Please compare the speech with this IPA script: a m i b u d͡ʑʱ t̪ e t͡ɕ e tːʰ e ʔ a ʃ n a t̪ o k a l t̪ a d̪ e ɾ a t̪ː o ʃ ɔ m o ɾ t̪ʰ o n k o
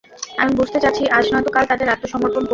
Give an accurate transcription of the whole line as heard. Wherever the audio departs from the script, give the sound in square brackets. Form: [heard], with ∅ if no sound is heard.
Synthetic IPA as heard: a m i b u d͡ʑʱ t̪ e t͡ɕ [a] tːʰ [i] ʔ a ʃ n a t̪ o k a l t̪ a d̪ e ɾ a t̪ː o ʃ ɔ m o ɾ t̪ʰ o n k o